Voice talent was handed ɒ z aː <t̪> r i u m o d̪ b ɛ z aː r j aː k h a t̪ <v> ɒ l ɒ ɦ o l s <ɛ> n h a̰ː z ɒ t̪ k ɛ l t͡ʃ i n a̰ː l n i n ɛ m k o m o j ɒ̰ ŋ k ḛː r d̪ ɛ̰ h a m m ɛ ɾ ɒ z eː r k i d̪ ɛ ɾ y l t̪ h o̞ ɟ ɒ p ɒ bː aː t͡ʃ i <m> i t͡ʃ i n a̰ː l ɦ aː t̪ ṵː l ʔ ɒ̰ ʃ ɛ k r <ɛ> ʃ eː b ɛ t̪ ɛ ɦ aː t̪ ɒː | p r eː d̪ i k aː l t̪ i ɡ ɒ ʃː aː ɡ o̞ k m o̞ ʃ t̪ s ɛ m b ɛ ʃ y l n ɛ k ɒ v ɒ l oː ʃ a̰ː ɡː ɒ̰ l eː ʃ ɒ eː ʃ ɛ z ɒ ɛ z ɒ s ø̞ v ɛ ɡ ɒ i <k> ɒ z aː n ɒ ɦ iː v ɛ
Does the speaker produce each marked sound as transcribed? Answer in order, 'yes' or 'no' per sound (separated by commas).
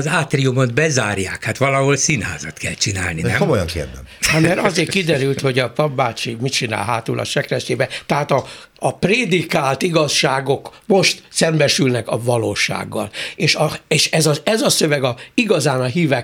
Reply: yes, no, no, yes, yes, no